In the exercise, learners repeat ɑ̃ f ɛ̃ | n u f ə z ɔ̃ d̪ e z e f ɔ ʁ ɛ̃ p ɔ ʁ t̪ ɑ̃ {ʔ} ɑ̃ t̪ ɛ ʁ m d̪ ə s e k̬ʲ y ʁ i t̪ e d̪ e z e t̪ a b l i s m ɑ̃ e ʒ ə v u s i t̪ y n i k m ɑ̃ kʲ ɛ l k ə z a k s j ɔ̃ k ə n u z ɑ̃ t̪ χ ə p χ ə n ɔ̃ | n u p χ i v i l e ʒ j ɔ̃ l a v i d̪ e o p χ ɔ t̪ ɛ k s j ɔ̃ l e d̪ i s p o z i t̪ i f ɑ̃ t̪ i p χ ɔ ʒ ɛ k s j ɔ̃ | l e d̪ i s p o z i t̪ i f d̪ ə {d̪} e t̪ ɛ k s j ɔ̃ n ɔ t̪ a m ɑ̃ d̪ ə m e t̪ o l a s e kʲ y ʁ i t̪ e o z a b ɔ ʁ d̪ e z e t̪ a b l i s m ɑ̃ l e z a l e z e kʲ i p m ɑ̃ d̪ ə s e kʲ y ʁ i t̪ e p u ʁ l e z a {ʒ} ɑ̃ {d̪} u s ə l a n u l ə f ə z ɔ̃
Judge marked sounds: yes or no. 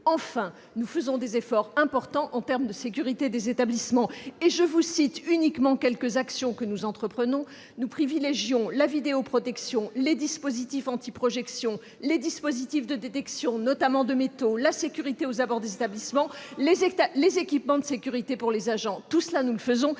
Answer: yes, yes, yes, no

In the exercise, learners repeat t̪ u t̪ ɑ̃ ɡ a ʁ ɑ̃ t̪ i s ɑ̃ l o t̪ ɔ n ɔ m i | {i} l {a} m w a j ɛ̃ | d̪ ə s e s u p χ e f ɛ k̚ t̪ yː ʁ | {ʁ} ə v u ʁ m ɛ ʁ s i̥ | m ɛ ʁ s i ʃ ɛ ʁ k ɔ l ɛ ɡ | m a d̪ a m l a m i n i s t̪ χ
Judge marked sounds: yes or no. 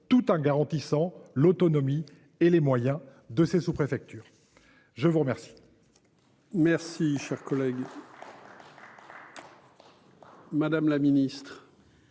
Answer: no, no, no

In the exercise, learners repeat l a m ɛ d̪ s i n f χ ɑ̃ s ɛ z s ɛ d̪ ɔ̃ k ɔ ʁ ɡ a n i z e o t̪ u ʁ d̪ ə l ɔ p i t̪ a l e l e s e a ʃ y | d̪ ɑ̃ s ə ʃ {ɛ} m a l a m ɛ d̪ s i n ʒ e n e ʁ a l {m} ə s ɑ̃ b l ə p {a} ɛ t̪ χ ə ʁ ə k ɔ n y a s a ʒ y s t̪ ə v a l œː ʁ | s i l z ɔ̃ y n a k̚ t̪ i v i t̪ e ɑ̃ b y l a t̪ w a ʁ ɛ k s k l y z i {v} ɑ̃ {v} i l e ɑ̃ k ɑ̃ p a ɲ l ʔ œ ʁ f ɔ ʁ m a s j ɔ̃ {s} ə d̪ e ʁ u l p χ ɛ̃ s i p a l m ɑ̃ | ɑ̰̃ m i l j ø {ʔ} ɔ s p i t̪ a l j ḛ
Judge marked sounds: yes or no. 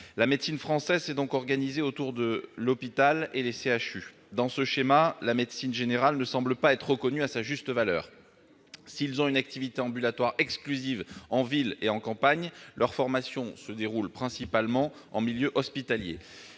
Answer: no, no, yes, yes, yes, yes, yes

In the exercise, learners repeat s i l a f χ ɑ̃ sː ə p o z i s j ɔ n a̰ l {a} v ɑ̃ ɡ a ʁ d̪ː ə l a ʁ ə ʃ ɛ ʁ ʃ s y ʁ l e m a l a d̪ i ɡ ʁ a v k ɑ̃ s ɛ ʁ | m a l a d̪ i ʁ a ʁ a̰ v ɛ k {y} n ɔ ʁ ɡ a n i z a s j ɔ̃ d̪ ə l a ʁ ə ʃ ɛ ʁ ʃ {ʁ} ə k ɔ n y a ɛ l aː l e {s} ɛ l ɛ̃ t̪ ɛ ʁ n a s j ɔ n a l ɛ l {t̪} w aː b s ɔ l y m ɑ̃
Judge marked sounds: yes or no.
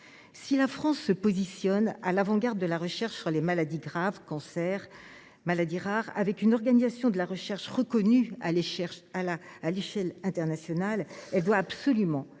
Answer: yes, yes, yes, no, no

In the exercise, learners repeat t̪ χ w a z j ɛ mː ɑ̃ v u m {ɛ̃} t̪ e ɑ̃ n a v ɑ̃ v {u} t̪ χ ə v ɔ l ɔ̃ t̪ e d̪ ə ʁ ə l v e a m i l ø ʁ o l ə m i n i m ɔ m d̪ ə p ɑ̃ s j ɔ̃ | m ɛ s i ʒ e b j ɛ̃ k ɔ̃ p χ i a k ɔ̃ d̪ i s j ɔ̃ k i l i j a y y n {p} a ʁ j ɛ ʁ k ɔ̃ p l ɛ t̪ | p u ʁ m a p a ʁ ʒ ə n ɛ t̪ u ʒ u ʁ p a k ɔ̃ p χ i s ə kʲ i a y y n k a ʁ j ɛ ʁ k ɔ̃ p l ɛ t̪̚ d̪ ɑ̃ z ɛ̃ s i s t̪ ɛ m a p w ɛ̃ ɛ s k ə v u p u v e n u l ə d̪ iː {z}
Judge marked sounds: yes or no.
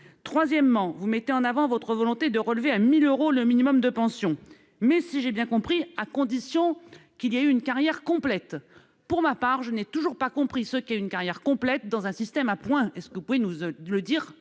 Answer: no, no, no, no

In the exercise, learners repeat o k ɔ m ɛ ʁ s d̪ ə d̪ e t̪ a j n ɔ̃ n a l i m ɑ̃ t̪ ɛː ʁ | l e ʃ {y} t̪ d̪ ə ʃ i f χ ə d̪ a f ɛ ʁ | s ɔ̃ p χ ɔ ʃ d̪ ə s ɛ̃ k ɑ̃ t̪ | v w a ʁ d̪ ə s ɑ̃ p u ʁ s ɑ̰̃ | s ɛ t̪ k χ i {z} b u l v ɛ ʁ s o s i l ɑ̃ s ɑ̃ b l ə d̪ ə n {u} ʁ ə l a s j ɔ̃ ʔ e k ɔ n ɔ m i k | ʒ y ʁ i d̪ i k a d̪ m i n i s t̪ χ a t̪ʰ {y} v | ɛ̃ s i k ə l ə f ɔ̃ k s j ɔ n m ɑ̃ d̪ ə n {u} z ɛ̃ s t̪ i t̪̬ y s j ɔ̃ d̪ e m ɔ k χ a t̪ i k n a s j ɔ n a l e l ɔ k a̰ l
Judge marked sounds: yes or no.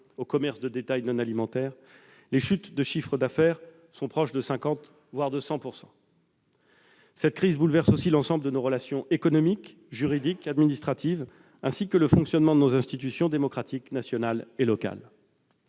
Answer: yes, yes, no, no, no

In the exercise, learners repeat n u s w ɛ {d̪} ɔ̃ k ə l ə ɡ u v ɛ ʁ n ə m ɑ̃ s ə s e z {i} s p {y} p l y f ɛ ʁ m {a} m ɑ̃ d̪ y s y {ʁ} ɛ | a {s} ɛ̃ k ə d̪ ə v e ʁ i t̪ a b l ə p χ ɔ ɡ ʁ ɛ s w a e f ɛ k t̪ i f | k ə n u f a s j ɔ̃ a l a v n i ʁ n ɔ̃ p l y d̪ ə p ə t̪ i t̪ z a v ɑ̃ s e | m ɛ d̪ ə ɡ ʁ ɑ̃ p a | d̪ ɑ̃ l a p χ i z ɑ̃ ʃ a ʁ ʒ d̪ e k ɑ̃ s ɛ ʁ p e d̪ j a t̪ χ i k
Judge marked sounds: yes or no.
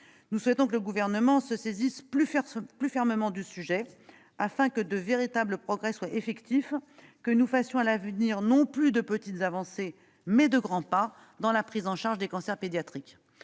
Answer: no, yes, yes, no, no, no

